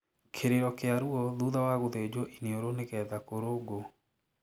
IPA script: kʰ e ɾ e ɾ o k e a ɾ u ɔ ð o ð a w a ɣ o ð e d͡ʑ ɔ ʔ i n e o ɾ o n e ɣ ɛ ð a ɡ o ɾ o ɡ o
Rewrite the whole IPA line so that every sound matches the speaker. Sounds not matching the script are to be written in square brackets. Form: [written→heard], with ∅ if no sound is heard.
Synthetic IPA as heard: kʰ e ɾ e ɾ [o→ɔ] k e a ɾ u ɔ ð [o→u] ð a w a ɣ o ð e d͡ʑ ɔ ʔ i n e o ɾ o n e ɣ ɛ ð a [ɡ→k] o ɾ o ɡ o

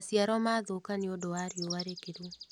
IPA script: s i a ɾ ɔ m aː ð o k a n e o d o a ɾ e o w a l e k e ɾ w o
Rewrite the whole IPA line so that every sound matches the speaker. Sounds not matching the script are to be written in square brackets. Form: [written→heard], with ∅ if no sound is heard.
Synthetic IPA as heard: s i a ɾ ɔ m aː ð o k a n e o d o a ɾ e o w a [l→ɾ] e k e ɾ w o

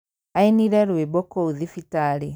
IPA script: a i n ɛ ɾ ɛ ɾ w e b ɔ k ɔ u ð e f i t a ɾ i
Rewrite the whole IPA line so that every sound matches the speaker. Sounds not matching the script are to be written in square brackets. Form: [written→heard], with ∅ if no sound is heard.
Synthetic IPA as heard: a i n [ɛ→i] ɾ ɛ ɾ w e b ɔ k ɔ u ð [e→i] f i t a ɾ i

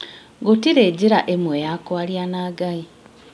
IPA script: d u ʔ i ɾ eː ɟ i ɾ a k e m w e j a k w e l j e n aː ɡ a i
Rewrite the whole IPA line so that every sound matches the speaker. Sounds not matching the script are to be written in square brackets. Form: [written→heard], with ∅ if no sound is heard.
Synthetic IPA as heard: [d→ɡ] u [ʔ→t] i ɾ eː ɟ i ɾ a [k→ʔ] e m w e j a k w [e→a] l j [e→a] n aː ɡ a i

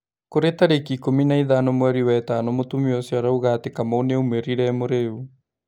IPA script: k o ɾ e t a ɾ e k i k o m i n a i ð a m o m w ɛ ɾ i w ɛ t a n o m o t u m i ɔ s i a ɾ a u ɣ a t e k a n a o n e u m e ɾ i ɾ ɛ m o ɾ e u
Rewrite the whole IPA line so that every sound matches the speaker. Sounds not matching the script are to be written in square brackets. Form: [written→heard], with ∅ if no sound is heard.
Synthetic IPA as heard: k o ɾ e t a ɾ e k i k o m i n a i ð a [m→n] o m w ɛ ɾ i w ɛ t a n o m o t u m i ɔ s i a ɾ a u ɣ a t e k a [n→m] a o n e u m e ɾ i ɾ ɛ m o ɾ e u

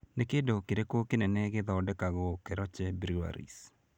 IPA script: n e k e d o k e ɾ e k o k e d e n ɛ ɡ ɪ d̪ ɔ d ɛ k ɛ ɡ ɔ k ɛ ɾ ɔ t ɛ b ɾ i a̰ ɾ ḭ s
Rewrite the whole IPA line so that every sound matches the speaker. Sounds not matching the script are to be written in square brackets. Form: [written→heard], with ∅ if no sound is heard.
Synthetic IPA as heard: n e k e d o k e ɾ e k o k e [d→n] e n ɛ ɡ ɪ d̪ ɔ d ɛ k [ɛ→a] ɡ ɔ k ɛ ɾ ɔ [t→t͡ʃ] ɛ b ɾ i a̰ ɾ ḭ s

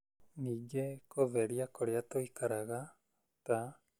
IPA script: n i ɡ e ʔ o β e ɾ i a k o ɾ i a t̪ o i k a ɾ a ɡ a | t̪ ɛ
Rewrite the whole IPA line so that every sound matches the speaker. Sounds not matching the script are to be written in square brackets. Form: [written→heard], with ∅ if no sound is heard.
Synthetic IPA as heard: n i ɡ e [ʔ→k] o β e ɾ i a k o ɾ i a t̪ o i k a ɾ a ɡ a | t̪ [ɛ→a]

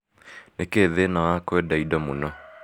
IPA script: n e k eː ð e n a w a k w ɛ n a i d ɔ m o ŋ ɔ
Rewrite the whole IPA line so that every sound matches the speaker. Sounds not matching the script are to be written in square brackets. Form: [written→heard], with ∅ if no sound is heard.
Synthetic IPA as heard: n e k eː ð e n a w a k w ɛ [n→d] a i d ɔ m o [ŋ→n] ɔ

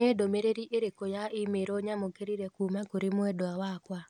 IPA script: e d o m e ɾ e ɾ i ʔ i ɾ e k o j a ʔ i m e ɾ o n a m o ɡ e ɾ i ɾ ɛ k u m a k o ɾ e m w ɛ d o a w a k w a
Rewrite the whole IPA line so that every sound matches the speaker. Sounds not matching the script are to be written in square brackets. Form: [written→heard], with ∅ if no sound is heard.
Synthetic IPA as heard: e d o m e ɾ e ɾ i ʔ [i→e] ɾ e k o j a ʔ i m e ɾ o [n→ɲ] a m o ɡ e ɾ i ɾ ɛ k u m a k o ɾ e m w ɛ d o a w a k w a

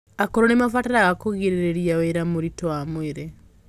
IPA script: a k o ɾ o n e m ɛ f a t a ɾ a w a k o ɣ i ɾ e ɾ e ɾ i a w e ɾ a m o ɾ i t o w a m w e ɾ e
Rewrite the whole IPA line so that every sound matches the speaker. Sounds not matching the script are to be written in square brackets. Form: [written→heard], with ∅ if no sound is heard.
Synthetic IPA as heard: a k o ɾ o n e m [ɛ→a] f a t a ɾ a [w→ɣ] a k o ɣ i ɾ e ɾ e ɾ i a w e ɾ a m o ɾ i t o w a m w e ɾ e

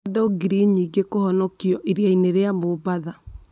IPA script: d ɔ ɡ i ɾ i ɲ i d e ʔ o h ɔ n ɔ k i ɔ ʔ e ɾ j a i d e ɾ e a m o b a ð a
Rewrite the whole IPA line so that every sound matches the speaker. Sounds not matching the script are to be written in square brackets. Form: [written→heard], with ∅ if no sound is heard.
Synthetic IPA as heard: d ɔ ɡ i ɾ i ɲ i [d→ɡ] e [ʔ→k] o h ɔ n ɔ k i ɔ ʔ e ɾ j a i [d→n] e ɾ e a m o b a ð a

